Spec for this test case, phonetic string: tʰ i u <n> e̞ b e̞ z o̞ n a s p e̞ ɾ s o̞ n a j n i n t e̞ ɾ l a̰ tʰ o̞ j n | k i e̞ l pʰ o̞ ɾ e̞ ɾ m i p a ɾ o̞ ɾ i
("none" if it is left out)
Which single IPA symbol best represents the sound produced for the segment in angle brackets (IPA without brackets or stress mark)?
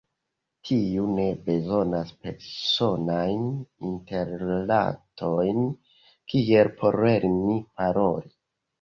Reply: n